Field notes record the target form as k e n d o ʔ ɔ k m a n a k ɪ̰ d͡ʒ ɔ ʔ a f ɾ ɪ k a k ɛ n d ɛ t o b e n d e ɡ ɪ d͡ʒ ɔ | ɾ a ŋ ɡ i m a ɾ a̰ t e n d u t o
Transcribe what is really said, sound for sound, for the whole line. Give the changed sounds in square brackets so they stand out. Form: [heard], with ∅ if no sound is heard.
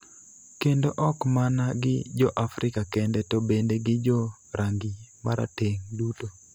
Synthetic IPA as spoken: k e n d o ʔ ɔ k m a n a [ɡ] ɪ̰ d͡ʒ ɔ ʔ a f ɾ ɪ k a k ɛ n d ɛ t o b e n d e ɡ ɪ d͡ʒ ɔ | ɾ a ŋ ɡ i m a ɾ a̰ t e [ŋ] d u t o